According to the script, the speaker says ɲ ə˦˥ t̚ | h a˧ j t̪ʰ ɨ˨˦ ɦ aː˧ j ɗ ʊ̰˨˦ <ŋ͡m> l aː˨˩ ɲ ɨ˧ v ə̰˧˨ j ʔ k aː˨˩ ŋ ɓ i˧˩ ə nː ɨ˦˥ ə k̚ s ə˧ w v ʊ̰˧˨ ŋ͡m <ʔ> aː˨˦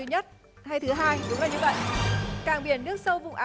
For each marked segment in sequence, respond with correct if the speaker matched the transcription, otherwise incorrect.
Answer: correct, correct

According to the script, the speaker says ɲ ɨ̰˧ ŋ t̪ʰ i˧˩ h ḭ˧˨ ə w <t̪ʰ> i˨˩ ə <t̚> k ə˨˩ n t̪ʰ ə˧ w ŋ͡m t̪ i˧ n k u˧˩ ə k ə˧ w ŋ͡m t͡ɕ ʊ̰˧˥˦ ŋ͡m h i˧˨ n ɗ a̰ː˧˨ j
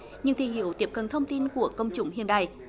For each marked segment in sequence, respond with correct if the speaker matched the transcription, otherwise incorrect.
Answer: incorrect, incorrect

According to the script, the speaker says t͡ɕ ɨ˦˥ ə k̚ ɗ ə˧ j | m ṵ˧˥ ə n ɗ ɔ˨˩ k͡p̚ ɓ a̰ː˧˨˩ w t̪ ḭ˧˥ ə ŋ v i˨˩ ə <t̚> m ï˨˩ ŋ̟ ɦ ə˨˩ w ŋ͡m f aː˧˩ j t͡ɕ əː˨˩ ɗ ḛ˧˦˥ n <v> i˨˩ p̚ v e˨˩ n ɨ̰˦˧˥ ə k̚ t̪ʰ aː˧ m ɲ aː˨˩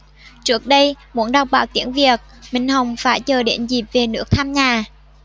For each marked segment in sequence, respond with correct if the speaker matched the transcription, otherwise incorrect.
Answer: incorrect, incorrect

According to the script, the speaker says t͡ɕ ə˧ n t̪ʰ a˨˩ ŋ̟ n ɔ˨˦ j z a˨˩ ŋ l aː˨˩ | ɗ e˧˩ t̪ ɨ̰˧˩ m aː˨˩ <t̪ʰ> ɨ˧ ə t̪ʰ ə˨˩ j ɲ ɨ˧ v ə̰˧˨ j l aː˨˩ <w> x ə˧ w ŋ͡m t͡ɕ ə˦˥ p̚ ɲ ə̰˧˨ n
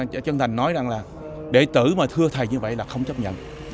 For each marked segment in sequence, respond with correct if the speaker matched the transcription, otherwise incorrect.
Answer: correct, incorrect

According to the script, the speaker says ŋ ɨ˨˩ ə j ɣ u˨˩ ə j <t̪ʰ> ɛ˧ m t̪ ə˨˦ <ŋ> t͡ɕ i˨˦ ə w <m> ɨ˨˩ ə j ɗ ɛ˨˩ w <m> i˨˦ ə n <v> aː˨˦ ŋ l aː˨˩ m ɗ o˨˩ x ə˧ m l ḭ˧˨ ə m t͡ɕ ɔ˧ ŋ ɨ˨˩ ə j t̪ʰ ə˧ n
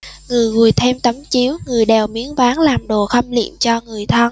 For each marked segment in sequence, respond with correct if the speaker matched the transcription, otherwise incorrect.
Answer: correct, incorrect, incorrect, correct, correct

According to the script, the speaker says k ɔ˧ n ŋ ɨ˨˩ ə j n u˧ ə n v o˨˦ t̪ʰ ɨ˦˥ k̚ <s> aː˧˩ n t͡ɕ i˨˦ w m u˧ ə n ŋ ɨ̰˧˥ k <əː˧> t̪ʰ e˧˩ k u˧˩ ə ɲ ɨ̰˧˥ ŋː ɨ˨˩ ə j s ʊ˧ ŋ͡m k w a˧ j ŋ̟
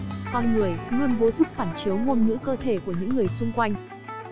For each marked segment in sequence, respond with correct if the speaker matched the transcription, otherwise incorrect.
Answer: incorrect, correct

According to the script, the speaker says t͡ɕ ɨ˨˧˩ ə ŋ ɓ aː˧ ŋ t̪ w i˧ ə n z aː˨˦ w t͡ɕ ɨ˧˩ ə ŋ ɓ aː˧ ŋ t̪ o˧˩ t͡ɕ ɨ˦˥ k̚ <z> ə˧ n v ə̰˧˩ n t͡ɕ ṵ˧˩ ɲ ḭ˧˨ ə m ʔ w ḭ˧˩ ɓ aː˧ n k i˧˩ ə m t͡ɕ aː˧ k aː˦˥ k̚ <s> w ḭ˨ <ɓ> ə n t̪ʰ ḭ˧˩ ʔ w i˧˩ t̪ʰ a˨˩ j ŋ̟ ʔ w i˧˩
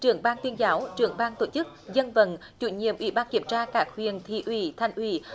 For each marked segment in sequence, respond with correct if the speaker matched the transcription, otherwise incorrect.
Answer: correct, incorrect, incorrect

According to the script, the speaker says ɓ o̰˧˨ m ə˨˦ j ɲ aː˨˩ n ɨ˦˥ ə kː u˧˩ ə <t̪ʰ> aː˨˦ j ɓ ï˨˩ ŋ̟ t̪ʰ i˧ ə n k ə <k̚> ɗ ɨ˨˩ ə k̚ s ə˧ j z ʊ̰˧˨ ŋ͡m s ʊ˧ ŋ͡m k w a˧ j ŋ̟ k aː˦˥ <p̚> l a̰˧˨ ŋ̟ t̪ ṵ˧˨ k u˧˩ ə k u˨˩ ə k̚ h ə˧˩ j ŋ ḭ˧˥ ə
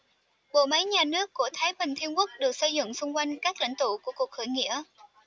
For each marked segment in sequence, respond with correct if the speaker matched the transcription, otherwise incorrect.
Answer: correct, correct, incorrect

